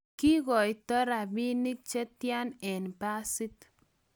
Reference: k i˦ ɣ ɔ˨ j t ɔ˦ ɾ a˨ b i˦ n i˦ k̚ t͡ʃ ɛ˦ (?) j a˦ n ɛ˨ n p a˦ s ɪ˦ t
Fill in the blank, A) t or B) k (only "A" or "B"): A